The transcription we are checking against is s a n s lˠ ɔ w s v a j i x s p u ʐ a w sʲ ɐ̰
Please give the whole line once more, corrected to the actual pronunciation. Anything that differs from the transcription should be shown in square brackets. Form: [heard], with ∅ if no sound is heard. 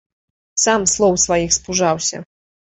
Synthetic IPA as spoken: s a [m] s lˠ ɔ w s v a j i x s p u ʐ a w sʲ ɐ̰